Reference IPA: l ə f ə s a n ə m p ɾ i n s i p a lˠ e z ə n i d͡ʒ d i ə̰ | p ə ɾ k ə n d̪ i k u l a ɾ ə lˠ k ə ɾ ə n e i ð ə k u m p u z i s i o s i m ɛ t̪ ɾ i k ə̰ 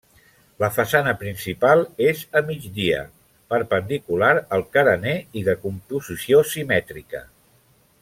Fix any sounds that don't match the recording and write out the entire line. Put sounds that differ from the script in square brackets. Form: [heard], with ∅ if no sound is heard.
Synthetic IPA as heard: l ə f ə s a n ə [∅] p ɾ i n s i p a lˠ e z ə [m] i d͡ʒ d i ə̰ | p ə ɾ [p] ə n d̪ i k u l a ɾ ə lˠ k ə ɾ ə n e i ð ə k u m p u z i s i o s i m ɛ t̪ ɾ i k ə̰